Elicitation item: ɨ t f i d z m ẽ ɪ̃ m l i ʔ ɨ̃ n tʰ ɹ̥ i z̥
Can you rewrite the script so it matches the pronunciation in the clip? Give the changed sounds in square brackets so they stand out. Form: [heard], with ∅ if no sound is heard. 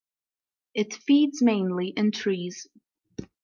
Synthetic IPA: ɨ t f i d z m ẽ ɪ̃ [n] l i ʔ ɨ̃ n tʰ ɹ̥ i z̥